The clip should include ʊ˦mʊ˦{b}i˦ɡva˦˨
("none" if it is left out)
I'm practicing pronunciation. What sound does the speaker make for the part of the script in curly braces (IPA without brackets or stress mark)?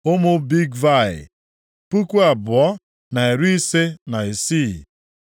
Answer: b